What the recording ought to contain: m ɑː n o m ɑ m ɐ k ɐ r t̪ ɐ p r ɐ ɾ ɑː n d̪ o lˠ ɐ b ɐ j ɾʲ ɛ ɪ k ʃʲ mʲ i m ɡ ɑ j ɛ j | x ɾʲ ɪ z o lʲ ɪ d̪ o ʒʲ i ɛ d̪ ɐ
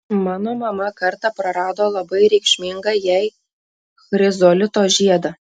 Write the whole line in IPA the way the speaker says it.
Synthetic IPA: m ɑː n o m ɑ m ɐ k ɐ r t̪ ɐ p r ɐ ɾ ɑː d̪ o lˠ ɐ b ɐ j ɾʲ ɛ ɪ k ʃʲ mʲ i ŋ ɡ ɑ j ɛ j | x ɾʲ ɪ z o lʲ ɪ t̪ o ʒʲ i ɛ d̪ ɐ